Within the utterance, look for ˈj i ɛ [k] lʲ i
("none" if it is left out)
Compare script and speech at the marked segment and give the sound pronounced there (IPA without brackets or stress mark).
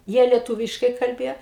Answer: none